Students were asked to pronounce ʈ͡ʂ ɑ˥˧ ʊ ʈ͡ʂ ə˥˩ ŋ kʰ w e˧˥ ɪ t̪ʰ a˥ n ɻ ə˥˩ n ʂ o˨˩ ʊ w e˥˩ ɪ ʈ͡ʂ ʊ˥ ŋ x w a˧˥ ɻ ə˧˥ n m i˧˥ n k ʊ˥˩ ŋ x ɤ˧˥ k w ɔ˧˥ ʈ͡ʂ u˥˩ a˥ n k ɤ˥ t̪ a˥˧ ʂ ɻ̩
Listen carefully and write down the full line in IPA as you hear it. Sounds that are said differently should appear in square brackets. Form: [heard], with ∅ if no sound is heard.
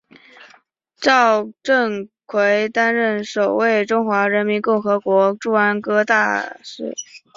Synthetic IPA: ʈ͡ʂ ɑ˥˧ ʊ ʈ͡ʂ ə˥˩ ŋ kʰ w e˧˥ ɪ [t̪] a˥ n ɻ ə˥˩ n ʂ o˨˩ ʊ w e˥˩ ɪ ʈ͡ʂ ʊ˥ ŋ x w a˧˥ ɻ ə˧˥ n m i˧˥ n k ʊ˥˩ ŋ x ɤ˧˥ k w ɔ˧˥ ʈ͡ʂ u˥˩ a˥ n k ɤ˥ t̪ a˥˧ ʂ ɻ̩